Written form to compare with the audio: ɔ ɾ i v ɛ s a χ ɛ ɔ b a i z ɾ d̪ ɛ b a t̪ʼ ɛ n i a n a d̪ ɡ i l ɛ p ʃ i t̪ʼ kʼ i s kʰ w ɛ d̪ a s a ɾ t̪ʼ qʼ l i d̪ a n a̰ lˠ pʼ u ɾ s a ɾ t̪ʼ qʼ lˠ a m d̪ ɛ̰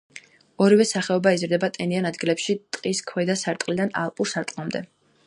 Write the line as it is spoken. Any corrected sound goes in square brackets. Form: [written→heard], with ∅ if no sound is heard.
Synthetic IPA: ɔ ɾ i v ɛ s a χ ɛ ɔ b a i z ɾ d̪ ɛ b a t̪ʼ ɛ n i a n a d̪ ɡ i l ɛ p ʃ i t̪ʼ [kʼ→qʼ] i s kʰ w ɛ d̪ a s a ɾ t̪ʼ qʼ l i d̪ a n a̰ lˠ pʼ u ɾ s a ɾ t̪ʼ qʼ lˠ a m d̪ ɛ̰

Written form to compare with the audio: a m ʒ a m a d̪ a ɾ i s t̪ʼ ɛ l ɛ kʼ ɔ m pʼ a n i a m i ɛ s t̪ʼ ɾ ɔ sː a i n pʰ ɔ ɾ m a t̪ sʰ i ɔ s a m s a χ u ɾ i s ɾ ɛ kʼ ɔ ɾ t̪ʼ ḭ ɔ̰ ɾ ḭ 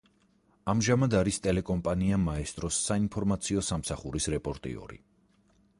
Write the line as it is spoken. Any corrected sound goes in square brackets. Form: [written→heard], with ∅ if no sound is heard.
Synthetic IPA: a m ʒ a m a d̪ a ɾ i s t̪ʼ ɛ l ɛ kʼ ɔ m pʼ a n i a m [i→a] ɛ s t̪ʼ ɾ ɔ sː a i n pʰ ɔ ɾ m a t̪ sʰ i ɔ s a m s a χ u ɾ i s ɾ ɛ [kʼ→pʼ] ɔ ɾ t̪ʼ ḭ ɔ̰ ɾ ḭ

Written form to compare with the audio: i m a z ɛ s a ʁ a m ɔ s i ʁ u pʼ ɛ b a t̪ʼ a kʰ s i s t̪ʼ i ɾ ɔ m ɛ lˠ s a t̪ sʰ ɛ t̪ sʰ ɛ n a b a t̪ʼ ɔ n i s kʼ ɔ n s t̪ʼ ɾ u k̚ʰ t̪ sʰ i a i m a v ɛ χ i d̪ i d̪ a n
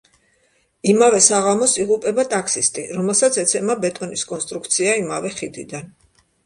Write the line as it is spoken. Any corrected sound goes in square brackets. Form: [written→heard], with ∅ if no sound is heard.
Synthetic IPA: i m a [z→v] ɛ s a ʁ a m ɔ s i ʁ u pʼ ɛ b a t̪ʼ a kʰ s i s t̪ʼ i ɾ ɔ m ɛ lˠ s a t̪ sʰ ɛ t̪ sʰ ɛ [n→m] a b [a→ɛ] t̪ʼ ɔ n i s kʼ ɔ n s t̪ʼ ɾ u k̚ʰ t̪ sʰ i a i m a v ɛ χ i d̪ i d̪ a n

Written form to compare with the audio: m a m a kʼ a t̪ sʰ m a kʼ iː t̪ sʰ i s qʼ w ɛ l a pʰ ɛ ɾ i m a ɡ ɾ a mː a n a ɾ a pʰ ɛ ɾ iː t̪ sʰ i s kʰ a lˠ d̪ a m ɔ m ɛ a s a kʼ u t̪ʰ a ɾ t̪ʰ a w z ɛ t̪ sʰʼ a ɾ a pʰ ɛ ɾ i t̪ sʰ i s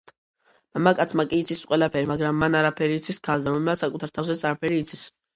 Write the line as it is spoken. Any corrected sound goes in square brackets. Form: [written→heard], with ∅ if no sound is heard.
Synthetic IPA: m a m a kʼ a t̪ sʰ m a kʼ iː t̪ sʰ i s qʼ w ɛ l a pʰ ɛ ɾ i m a ɡ ɾ a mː a n a ɾ a pʰ ɛ ɾ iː t̪ sʰ i s kʰ a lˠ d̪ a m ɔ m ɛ a s a kʼ u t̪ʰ a ɾ t̪ʰ a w z ɛ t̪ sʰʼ a ɾ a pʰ ɛ ɾ [i→iː] t̪ sʰ i s

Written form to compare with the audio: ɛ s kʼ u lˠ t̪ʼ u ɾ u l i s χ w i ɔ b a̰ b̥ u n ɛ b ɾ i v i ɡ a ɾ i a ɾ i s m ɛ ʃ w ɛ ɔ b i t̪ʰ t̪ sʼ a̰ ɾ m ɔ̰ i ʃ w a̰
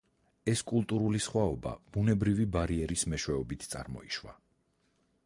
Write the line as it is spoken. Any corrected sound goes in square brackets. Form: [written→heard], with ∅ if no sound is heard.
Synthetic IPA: ɛ s kʼ u lˠ t̪ʼ u ɾ u l i s χ w [i→a] ɔ b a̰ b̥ u n ɛ b ɾ i v i [ɡ→b] a ɾ i [a→ɛ] ɾ i s m ɛ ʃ w ɛ ɔ b i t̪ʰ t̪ sʼ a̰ ɾ m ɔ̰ i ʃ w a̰

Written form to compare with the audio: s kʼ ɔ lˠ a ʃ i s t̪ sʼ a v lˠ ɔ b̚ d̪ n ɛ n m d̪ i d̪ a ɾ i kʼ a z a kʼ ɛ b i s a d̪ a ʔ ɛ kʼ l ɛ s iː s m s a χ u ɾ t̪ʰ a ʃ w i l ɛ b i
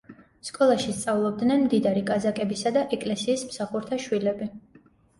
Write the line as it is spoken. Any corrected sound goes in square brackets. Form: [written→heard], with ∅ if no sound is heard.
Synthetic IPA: s kʼ ɔ lˠ a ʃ i s t̪ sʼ a v lˠ ɔ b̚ d̪ n ɛ n m d̪ i d̪ a ɾ i kʼ a z a kʼ ɛ b i s a d̪ a ʔ ɛ kʼ l ɛ s iː s m s a χ u ɾ t̪ʰ a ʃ w i l ɛ b i

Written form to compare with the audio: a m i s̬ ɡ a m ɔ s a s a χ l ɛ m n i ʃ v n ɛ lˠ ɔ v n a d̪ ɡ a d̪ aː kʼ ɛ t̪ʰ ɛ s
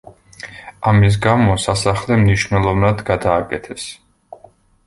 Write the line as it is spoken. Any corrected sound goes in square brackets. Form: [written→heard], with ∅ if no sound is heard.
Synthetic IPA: a m i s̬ ɡ a m ɔ s a s a χ l ɛ m n i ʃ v n ɛ lˠ ɔ v n a d̪ ɡ a d̪ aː kʼ ɛ t̪ʰ ɛ s

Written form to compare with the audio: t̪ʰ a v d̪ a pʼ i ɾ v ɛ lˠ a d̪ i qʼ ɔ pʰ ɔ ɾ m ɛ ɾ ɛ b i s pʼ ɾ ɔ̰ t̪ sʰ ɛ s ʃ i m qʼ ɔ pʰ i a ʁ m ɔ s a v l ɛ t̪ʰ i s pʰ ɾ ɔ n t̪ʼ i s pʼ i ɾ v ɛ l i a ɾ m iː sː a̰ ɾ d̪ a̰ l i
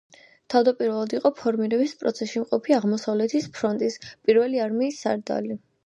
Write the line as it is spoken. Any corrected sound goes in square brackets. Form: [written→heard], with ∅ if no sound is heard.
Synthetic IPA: t̪ʰ a v d̪ a pʼ i ɾ v ɛ lˠ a d̪ i qʼ ɔ pʰ ɔ ɾ m [ɛ→i] ɾ ɛ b i s pʼ ɾ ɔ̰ t̪ sʰ ɛ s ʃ i m qʼ ɔ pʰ i a ʁ m ɔ s a v l ɛ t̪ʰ i s pʰ ɾ ɔ n t̪ʼ i s pʼ i ɾ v ɛ l i a ɾ m iː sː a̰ ɾ d̪ a̰ l i

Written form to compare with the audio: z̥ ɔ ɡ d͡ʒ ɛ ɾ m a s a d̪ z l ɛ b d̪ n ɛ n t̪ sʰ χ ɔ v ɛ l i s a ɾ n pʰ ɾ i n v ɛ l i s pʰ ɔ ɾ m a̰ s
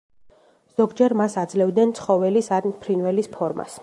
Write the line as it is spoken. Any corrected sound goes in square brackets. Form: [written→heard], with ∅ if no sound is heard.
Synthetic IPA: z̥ ɔ ɡ d͡ʒ ɛ ɾ m a s a d̪ z l ɛ [b→v] d̪ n ɛ n t̪ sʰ χ ɔ v ɛ l i s a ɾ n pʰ ɾ i n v ɛ l i s pʰ ɔ ɾ m a̰ s

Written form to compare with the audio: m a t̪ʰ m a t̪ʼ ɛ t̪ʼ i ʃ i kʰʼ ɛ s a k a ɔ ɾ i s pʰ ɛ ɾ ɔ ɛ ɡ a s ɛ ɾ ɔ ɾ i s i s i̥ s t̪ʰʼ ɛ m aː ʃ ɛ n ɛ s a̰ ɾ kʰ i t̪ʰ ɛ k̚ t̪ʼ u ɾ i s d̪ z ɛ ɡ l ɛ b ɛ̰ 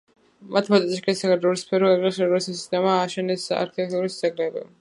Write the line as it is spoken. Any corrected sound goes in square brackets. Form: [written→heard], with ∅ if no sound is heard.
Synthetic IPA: m a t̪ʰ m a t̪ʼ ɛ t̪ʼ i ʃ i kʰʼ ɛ s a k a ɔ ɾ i s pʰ ɛ ɾ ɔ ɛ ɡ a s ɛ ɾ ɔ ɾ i s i s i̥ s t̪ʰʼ ɛ m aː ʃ ɛ n ɛ s a̰ ɾ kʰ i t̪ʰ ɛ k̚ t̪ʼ u ɾ i s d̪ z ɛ ɡ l ɛ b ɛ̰

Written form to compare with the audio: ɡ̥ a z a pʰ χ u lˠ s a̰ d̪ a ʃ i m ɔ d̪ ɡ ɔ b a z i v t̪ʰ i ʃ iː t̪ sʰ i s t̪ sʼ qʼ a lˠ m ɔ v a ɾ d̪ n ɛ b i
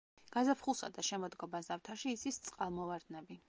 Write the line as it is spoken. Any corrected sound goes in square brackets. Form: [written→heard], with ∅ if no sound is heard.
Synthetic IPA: ɡ̥ a z a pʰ χ u lˠ s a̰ d̪ a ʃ [i→ɛ] m ɔ d̪ ɡ ɔ b a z [i→a] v t̪ʰ [i→a] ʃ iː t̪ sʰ i s t̪ sʼ qʼ a lˠ m ɔ v a ɾ d̪ n ɛ b i

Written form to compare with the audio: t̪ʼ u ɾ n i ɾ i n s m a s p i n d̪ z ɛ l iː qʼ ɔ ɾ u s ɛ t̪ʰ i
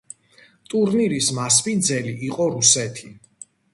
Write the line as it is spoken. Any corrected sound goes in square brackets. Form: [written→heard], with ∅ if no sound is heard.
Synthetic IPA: t̪ʼ u ɾ n i ɾ i [n→∅] s m a s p i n d̪ z ɛ l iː qʼ ɔ ɾ u s ɛ t̪ʰ i

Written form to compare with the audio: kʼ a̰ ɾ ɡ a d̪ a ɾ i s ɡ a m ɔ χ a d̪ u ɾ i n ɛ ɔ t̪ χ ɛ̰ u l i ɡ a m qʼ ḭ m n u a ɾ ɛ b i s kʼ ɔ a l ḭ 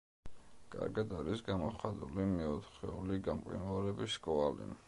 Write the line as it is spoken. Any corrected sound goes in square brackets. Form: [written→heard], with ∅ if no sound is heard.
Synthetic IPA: kʼ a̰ ɾ ɡ a d̪ a ɾ i s ɡ a m ɔ χ a d̪ u [ɾ→l] i [n→m] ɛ ɔ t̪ χ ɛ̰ u l i ɡ a m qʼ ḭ [m→∅] n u a ɾ ɛ b i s kʼ ɔ a l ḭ

